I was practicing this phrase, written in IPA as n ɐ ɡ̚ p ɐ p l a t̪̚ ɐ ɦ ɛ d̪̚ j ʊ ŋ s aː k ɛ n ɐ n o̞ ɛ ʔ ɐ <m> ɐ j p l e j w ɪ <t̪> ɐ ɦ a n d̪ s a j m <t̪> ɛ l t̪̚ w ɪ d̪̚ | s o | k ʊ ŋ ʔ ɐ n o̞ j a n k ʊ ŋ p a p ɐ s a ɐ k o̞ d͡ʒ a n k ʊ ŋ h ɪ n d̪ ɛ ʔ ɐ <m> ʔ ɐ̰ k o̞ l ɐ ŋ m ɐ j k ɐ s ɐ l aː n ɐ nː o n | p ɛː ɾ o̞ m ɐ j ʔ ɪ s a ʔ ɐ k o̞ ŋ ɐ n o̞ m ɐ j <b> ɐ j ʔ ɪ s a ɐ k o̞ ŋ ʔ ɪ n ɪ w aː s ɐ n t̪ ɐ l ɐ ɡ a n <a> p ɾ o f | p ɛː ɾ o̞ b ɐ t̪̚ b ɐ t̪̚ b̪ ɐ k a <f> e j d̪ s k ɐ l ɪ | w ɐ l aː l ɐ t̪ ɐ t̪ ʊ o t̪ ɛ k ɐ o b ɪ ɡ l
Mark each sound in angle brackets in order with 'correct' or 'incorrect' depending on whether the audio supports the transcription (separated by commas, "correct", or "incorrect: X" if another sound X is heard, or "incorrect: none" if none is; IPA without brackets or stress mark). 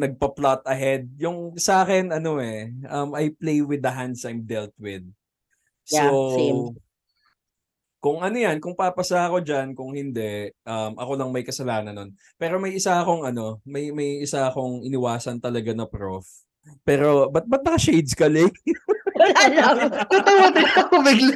correct, incorrect: d̪, incorrect: d̪, correct, incorrect: m, incorrect: ɐ, incorrect: ʃ